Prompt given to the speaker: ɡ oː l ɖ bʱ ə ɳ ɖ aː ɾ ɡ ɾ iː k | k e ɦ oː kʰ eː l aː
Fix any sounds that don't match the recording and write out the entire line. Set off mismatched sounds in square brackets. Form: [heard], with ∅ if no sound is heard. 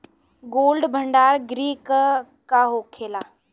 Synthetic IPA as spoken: ɡ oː l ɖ bʱ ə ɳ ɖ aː ɾ ɡ ɾ iː k | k [a] ɦ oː kʰ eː l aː